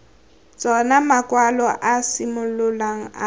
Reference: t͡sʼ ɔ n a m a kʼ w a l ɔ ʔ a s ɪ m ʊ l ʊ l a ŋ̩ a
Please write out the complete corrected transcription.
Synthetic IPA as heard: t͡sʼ ɔ n a m a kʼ w a l ɔ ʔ a s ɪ m ʊ l ʊ l a ŋ̩ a